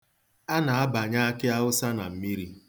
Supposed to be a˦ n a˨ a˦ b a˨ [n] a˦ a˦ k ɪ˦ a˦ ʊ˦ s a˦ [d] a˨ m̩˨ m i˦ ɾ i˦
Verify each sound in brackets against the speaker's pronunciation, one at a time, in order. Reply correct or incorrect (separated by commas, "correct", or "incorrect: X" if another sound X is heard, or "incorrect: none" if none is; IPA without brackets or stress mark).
incorrect: ɲ, incorrect: n